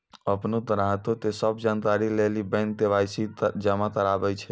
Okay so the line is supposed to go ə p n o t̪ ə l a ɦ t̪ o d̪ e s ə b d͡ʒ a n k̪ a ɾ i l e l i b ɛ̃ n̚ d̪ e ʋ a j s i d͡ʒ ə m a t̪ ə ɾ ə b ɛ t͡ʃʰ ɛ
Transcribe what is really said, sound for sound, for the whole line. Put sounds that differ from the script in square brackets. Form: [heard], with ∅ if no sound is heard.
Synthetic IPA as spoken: ə p n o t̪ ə [ɾ] a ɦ t̪ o [t̪] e s ə b d͡ʒ a n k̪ a ɾ i l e l i b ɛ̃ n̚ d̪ e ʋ a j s i d͡ʒ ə m a t̪ ə ɾ [a] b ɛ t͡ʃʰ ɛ